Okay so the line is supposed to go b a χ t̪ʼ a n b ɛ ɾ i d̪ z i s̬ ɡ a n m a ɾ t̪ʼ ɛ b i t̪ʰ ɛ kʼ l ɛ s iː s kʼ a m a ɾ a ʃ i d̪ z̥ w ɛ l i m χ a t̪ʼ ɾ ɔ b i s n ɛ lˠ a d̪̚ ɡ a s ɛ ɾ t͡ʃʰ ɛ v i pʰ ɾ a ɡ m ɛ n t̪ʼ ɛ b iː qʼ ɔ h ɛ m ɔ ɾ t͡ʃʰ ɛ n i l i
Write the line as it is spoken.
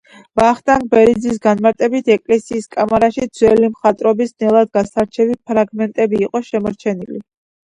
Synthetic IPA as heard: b a χ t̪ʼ a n b ɛ ɾ i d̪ z i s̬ ɡ a n m a ɾ t̪ʼ ɛ b i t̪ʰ ɛ kʼ l ɛ s iː s kʼ a m a ɾ a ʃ i d̪ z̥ w ɛ l i m χ a t̪ʼ ɾ ɔ b i s n ɛ lˠ a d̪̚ ɡ a s a ɾ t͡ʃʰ ɛ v i pʰ ɾ a ɡ m ɛ n t̪ʼ ɛ b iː qʼ ɔ ʃ ɛ m ɔ ɾ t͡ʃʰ ɛ n i l i